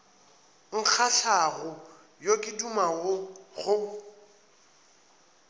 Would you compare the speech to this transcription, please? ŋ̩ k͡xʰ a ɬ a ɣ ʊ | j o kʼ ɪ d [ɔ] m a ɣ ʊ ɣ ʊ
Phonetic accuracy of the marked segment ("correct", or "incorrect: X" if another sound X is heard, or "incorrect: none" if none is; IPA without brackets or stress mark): incorrect: u